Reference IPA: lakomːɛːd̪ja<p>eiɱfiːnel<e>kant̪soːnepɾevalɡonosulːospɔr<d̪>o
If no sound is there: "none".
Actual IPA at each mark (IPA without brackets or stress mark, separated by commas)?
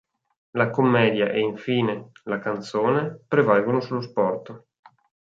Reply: ʔ, a, t̪